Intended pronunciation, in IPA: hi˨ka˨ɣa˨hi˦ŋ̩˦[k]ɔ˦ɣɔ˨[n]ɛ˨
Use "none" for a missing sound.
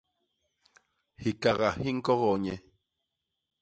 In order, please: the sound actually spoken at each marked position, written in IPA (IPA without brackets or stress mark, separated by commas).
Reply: k, ɲ